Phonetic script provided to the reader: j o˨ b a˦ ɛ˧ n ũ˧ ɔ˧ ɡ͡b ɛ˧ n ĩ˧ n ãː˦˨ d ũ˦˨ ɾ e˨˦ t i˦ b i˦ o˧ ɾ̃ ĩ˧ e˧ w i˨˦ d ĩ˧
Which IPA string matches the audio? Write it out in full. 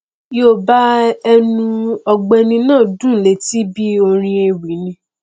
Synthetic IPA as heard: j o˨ b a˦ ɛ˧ n ũ˧ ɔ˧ ɡ͡b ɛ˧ n ĩ˧ n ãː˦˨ d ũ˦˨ l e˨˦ t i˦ b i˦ o˧ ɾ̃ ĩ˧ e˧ w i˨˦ n ĩ˧